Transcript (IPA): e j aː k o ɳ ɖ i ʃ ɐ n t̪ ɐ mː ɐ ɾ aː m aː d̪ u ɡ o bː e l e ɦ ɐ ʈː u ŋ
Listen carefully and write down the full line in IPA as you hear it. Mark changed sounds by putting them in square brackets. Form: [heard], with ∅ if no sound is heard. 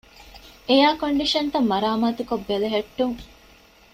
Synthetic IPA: e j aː k o ɳ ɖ i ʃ ɐ n t̪ ɐ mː ɐ ɾ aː m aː [t̪] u [k] o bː e l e ɦ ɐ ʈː u ŋ